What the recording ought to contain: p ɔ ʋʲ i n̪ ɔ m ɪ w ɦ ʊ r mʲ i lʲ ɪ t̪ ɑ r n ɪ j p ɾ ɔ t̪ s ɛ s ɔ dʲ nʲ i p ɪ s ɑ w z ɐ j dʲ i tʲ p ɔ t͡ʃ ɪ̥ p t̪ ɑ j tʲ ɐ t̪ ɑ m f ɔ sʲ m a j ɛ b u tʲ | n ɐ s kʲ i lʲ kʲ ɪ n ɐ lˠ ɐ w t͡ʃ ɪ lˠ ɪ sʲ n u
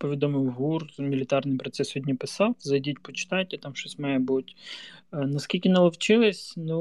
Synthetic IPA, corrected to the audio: p ɔ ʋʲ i d̪ ɔ m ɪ w ɦ u r mʲ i lʲ ɪ t̪ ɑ r n ɪ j p ɾ ɔ t̪ s ɛ s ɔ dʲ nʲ i p ɪ s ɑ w z ɐ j dʲ i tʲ p ɔ t͡ʃ ɪ̥ t̪ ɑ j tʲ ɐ t̪ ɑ m ʃ ɔ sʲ m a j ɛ b u tʲ | n ɐ s kʲ i lʲ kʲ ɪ n ɐ lˠ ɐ w t͡ʃ ɪ lˠ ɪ sʲ n u